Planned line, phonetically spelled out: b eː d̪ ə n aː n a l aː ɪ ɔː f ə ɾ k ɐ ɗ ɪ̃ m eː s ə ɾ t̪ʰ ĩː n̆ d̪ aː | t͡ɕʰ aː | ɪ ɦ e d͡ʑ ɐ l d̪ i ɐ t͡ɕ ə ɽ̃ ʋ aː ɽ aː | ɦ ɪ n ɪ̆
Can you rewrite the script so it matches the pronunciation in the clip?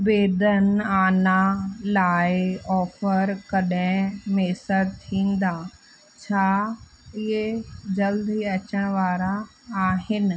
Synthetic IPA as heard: b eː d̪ ə n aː n a l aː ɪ ɔː f ə ɾ k ɐ ɗ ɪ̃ m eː s ə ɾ t̪ʰ ĩː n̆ d̪ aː | t͡ɕʰ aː | ɪ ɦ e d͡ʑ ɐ l d̪ i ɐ t͡ɕ ə ɽ̃ ʋ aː ɾ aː | ɦ ɪ n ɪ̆